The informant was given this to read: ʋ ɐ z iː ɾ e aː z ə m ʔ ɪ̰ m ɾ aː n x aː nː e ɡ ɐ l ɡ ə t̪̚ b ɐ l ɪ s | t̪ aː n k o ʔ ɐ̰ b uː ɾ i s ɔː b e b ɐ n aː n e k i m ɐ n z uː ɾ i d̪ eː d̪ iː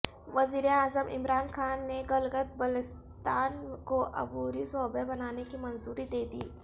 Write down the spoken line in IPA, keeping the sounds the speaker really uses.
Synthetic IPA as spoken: ʋ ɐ z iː ɾ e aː z ə m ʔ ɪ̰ m ɾ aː n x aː nː e ɡ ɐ l ɡ ə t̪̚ b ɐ l ɪ s | t̪ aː n k o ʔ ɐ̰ b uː ɾ i s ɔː b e b ɐ n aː n e k i m ɐ n z uː ɾ i d̪ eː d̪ iː

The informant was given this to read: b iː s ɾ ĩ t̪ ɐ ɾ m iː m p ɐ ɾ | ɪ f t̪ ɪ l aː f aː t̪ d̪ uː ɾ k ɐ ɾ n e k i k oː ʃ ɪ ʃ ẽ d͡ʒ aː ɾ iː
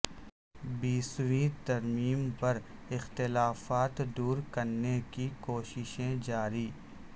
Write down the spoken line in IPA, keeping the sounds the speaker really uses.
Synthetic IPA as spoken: b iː s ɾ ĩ t̪ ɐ ɾ m iː m p ɐ ɾ | ɪ x t̪ ɪ l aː f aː t̪ d̪ uː ɾ k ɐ ɾ n e k i k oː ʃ ɪ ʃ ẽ d͡ʒ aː ɾ iː

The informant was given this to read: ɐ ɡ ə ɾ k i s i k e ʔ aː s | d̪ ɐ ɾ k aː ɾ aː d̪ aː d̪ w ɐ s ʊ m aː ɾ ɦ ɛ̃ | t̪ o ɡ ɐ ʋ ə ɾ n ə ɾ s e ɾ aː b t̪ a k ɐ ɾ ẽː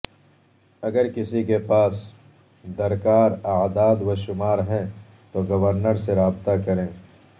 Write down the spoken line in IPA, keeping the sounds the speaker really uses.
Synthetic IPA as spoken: ɐ ɡ ə ɾ k ɪ s i k e p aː s | d̪ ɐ ɾ k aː ɾ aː d̪ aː d̪ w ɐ ʃ ʊ m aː ɾ ɦ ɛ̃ | t̪ o ɡ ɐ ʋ ə ɾ n ə ɾ s e ɾ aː b t̪ a k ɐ ɾ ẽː

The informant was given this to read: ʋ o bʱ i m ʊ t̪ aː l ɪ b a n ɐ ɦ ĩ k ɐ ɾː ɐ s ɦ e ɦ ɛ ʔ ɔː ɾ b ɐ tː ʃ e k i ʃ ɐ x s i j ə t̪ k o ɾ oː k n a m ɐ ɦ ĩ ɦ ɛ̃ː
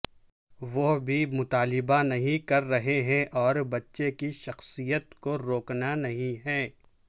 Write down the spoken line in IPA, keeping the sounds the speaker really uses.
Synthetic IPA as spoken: ʋ o bʱ i m ʊ t̪ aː l ɪ b a n ɐ ɦ ĩ k ɐ ɾː ɐ ɦ e ɦ ɛ̃ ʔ ɔː ɾ b ɐ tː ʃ e k i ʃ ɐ x s i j ə t̪ k o ɾ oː k n a n ɐ ɦ ĩ ɦ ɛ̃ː

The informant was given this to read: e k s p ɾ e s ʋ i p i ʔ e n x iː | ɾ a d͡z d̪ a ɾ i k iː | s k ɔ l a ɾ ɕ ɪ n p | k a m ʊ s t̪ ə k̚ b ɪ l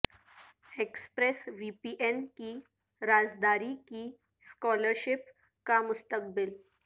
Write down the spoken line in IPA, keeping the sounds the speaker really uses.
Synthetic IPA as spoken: e k s p ɾ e s ʋ i p i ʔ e n k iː | ɾ a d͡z d̪ a ɾ i k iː | s k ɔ l ə ɾ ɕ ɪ p | k a m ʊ s t̪ ə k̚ b ɪ l

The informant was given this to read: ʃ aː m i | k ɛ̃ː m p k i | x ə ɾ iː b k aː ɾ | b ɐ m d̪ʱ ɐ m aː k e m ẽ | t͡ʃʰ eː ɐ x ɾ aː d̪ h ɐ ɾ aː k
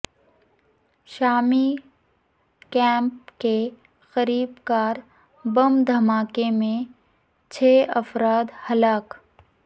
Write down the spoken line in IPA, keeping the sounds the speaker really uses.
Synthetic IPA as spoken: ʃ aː m i | k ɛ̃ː m p k e | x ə ɾ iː b k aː ɾ | b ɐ m d̪ʱ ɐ m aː k e m ẽ | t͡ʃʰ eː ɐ f ɾ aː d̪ h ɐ l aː k

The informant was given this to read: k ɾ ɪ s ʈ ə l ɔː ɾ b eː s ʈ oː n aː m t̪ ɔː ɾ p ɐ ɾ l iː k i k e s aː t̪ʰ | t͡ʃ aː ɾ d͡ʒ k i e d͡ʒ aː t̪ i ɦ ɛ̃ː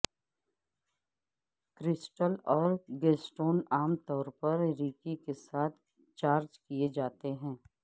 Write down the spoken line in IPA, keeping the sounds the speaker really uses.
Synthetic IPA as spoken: k ɾ ɪ s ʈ ə l ɔː ɾ ɡ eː s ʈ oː n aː m t̪ ɔː ɾ p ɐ ɾ ɾ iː k i k e s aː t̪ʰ | t͡ʃ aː ɾ d͡ʒ k i e d͡ʒ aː t̪ e ɦ ɛ̃ː

